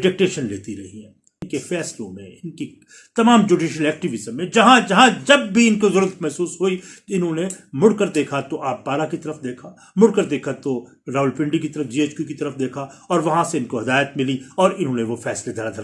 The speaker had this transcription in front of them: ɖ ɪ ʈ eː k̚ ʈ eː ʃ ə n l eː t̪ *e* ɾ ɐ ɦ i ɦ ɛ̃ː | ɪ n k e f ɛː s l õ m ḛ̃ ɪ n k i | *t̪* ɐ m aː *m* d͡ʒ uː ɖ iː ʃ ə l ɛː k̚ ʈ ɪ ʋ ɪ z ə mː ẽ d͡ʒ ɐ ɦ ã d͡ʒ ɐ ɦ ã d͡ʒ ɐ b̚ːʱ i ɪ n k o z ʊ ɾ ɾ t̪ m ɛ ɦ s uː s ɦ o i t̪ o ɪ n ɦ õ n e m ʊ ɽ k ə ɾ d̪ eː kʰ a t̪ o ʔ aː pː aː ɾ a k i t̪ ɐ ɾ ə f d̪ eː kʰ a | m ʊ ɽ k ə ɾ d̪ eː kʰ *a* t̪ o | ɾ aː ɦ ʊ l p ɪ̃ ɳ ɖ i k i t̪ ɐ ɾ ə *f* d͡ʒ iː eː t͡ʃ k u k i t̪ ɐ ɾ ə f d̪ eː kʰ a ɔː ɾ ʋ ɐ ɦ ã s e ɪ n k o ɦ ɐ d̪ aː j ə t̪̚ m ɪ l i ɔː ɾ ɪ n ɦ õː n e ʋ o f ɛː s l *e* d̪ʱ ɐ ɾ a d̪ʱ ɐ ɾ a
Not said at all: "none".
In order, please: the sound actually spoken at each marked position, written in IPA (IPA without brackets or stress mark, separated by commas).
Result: i, t̪, m, a, f, e